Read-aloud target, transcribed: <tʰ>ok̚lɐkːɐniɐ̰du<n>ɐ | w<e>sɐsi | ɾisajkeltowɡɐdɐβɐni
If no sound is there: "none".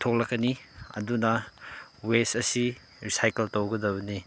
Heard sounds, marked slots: tʰ, n, e

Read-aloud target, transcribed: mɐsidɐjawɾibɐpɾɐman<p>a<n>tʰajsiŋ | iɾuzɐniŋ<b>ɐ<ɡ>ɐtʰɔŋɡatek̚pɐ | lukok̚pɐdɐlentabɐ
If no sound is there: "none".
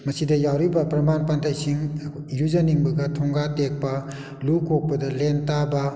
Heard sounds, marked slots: p, n, b, ɡ

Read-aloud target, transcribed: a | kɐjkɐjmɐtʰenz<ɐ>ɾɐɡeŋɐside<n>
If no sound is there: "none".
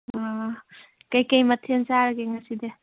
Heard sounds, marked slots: a, none

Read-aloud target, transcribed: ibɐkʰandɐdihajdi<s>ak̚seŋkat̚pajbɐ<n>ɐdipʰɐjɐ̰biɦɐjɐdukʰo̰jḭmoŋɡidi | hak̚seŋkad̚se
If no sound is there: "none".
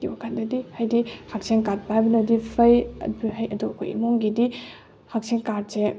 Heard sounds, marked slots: h, n

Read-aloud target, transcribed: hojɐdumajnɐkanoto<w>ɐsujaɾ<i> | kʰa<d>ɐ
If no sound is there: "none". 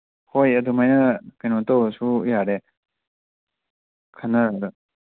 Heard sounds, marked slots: w, e, n

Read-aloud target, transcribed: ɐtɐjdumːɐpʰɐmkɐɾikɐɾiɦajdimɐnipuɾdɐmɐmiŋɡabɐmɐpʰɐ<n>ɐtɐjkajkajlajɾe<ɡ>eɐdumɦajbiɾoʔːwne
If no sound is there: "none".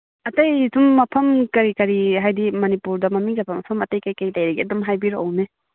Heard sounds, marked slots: m, ɡ

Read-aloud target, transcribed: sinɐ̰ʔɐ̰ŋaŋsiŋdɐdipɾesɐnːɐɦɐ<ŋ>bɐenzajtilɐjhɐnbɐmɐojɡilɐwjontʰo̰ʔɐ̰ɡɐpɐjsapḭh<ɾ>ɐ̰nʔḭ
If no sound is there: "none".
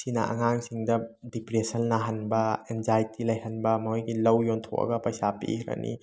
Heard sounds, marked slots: n, ɾ

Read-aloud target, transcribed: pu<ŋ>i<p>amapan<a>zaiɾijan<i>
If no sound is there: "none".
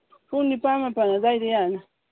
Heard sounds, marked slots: n, p, a, a

